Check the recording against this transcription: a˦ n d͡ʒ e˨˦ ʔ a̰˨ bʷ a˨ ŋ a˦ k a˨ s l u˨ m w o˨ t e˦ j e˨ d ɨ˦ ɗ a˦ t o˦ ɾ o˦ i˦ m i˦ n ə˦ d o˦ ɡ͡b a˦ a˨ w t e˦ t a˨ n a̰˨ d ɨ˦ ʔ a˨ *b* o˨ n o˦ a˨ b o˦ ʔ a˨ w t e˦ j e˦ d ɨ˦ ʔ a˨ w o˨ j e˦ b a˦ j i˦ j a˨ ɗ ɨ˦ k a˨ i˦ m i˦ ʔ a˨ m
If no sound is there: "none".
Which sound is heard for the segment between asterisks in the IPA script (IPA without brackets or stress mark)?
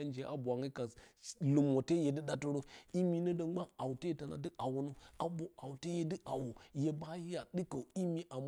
w